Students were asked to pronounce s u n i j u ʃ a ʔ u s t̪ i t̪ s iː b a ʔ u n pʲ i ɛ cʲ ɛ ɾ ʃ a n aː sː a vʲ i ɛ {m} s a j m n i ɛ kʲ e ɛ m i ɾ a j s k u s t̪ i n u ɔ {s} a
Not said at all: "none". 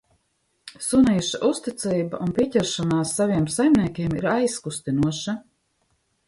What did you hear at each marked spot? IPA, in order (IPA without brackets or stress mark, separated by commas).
m, ʃ